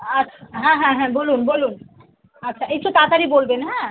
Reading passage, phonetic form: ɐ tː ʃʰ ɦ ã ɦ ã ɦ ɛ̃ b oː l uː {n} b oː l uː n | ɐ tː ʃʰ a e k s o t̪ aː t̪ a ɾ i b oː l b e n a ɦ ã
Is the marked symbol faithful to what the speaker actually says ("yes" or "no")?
yes